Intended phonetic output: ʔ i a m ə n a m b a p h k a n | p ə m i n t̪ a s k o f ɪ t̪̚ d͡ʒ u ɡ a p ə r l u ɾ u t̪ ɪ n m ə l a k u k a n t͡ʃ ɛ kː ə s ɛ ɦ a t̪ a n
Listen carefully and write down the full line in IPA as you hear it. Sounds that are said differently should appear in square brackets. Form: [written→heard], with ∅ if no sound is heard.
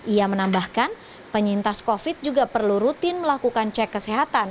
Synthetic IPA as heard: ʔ i a m ə n a m b a [p→∅] h k a n | p ə [m→ɲ] i n t̪ a s k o f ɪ t̪̚ d͡ʒ u ɡ a p ə r l u ɾ u t̪ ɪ n m ə l a k u k a n t͡ʃ ɛ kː ə s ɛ ɦ a t̪ a n